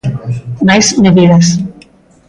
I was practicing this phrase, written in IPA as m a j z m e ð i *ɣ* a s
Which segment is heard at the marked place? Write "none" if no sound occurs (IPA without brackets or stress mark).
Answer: ð